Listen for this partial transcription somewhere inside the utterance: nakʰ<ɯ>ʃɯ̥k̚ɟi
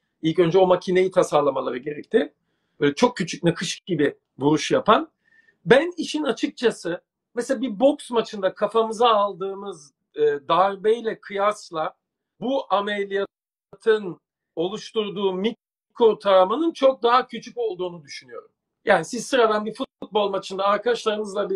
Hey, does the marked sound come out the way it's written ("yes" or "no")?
yes